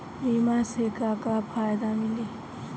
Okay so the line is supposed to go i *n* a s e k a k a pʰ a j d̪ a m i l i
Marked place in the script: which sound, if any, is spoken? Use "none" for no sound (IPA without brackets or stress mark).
m